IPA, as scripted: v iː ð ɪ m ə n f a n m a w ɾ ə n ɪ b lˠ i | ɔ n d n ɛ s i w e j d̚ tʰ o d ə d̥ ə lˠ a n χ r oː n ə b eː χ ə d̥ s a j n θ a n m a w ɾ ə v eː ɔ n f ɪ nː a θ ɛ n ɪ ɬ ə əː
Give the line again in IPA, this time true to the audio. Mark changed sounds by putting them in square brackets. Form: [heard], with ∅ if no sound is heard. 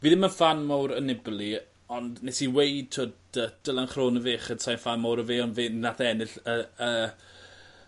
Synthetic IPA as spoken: v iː ð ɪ m ə n f a n m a w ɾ ə n ɪ b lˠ i | ɔ n d n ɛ s i w e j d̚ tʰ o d ə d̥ ə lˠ a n χ r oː n ə [v] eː χ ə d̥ s a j n [f] a n m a w ɾ ə v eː ɔ n [v] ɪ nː a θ ɛ n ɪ ɬ ə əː

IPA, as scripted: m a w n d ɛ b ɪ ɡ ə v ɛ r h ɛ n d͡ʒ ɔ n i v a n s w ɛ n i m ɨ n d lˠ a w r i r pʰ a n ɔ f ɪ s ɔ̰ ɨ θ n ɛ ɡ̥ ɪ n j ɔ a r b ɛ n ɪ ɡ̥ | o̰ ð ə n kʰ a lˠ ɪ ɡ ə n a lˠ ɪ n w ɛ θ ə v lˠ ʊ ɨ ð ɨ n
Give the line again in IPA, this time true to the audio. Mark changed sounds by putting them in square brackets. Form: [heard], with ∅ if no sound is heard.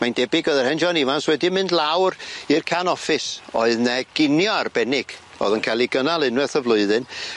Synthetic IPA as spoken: m a [∅] n d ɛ b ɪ ɡ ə [ð] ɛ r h ɛ n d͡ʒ ɔ n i v a n s w ɛ [d] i m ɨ n d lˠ a w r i r [kʰ] a n ɔ f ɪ s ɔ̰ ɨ [ð] n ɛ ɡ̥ ɪ n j ɔ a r b ɛ n ɪ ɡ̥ | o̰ ð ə n kʰ a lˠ [i] ɡ ə n a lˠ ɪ n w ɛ θ ə v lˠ ʊ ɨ ð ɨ n

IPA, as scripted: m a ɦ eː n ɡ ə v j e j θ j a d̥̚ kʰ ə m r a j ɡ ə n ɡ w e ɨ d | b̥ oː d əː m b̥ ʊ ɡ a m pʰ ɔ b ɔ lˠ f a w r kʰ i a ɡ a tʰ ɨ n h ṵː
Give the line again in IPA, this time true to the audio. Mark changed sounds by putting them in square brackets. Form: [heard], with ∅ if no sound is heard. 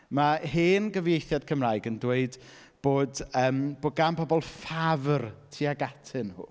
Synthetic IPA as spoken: m a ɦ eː n ɡ ə v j e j θ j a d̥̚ kʰ ə m r a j ɡ ə n [d] w e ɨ d | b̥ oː d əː m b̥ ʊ ɡ a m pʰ ɔ b ɔ lˠ f a [v] r [tʰ] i a ɡ a tʰ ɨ n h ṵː

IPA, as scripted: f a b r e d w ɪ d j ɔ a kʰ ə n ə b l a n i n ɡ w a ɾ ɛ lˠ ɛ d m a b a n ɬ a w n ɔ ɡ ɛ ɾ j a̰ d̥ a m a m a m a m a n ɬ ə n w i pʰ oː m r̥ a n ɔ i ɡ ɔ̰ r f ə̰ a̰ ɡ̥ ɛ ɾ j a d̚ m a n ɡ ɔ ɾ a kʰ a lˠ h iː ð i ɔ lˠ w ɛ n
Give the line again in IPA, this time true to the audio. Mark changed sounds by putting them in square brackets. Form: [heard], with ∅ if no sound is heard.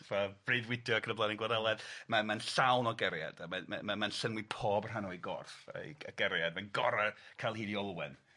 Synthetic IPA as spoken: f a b r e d w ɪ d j ɔ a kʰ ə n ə b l a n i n ɡ w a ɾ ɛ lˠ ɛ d m a [m] a n ɬ a w n ɔ ɡ ɛ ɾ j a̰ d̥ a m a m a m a m a n ɬ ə n w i pʰ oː [b] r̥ a n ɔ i ɡ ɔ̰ r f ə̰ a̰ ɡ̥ ɛ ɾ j a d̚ m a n ɡ ɔ ɾ a kʰ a lˠ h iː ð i ɔ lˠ w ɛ n

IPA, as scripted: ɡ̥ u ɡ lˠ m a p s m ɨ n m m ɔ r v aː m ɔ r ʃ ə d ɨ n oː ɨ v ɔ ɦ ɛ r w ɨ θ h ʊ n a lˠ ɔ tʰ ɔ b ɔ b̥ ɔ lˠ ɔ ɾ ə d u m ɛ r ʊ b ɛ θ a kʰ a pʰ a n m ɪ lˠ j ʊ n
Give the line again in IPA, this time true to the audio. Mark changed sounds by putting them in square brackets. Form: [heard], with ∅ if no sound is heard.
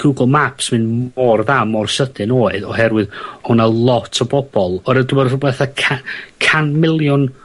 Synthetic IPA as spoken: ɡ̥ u ɡ lˠ m a p s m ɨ n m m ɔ r [ð] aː m ɔ r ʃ ə d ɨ n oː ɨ [ð] ɔ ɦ ɛ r w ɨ [ð] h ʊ n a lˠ ɔ tʰ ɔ b ɔ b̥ ɔ lˠ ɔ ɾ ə d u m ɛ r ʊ b ɛ θ a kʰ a [kʰ] a n m ɪ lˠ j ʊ n

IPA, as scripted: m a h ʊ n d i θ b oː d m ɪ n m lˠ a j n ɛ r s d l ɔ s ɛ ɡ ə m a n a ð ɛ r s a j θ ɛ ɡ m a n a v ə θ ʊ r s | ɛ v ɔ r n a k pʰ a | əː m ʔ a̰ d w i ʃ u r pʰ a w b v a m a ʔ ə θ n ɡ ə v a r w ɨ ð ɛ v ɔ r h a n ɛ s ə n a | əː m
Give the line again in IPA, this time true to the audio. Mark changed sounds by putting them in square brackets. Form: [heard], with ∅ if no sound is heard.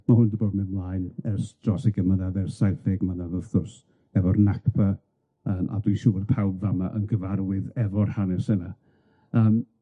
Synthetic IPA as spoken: m a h ʊ n d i [∅] b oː d m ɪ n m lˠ a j n ɛ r s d [r] ɔ s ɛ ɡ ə m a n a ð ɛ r s a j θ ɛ ɡ m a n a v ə θ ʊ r s | ɛ v ɔ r n a k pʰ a | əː m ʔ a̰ d w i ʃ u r pʰ a w b v a m a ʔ ə [∅] n ɡ ə v a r w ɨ ð ɛ v ɔ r h a n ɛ s ə n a | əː m

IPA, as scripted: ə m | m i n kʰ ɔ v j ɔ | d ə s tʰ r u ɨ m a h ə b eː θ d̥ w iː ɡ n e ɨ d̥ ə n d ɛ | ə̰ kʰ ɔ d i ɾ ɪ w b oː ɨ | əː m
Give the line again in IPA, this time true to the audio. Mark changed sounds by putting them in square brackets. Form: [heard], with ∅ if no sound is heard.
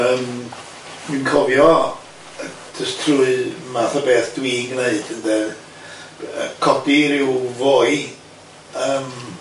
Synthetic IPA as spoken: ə m | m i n kʰ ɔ v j ɔ | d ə s tʰ r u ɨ m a [θ] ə b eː θ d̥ w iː ɡ n e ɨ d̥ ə n d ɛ | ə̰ kʰ ɔ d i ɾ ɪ w [v] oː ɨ | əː m

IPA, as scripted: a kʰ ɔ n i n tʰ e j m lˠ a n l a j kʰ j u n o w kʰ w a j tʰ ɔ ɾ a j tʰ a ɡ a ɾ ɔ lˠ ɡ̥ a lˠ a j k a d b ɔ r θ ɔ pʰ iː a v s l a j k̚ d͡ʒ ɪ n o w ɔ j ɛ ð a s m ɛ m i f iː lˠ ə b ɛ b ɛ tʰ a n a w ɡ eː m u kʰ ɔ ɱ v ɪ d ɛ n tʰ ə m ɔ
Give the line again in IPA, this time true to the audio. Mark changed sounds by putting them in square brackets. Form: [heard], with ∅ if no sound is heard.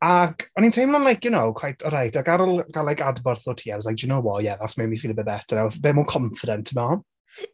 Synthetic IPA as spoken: a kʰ ɔ n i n tʰ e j m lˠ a n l a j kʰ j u n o w kʰ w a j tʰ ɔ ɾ a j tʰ a ɡ a ɾ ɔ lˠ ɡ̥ a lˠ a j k a d b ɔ r θ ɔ [tʰ] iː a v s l a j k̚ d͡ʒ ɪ n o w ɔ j ɛ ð a s m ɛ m i f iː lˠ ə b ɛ b ɛ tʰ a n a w [b] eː m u kʰ ɔ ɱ [f] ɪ d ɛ n tʰ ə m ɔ

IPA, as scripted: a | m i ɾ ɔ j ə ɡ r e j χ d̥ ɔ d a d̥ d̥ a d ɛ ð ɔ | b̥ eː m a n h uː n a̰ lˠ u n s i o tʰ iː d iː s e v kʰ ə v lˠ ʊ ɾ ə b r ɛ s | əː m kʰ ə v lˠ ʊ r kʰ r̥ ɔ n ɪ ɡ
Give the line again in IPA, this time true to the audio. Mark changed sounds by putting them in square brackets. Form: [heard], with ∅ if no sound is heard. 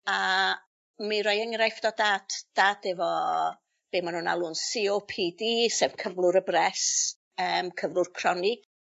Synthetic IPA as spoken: a | m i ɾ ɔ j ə [ŋ] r [a] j [f] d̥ ɔ d a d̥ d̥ a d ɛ [v] ɔ | b̥ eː m a n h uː n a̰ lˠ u n s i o [pʰ] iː d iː s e v kʰ ə v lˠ ʊ ɾ ə b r ɛ s | əː m kʰ ə v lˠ ʊ r kʰ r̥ ɔ n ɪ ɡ

